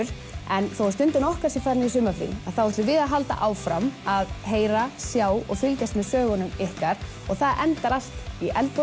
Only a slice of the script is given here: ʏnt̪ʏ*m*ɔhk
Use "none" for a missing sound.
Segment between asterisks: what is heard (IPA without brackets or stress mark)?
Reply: n